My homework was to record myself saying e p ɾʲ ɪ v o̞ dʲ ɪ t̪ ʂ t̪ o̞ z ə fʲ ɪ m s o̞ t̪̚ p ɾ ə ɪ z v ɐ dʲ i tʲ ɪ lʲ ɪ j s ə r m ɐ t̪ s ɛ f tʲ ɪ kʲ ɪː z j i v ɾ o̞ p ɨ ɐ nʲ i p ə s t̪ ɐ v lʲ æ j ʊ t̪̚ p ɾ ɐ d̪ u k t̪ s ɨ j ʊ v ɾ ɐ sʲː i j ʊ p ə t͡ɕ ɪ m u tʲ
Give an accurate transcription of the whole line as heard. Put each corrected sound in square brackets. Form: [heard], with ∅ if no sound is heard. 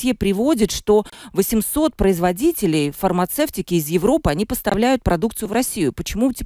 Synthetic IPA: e p ɾʲ ɪ v o̞ dʲ ɪ t̪ ʂ t̪ o̞ [v] ə [sʲ] ɪ m s o̞ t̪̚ p ɾ ə ɪ z v ɐ dʲ i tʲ ɪ lʲ ɪ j [f] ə r m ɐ t̪ s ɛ f tʲ ɪ kʲ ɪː z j [ɪ] v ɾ o̞ p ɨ ɐ nʲ i p ə s t̪ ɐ v lʲ æ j ʊ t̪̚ p ɾ ɐ d̪ u k t̪ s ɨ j ʊ v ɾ ɐ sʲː i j ʊ p ə t͡ɕ ɪ m u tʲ